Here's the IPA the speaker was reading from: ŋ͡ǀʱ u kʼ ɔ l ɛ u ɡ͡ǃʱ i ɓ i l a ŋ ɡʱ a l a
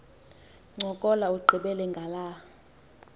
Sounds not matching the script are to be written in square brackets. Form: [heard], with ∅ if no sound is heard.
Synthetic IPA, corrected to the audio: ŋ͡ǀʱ [ɔ] kʼ ɔ l [a] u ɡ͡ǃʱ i ɓ [ɛ] l [ɛ] ŋ ɡʱ a l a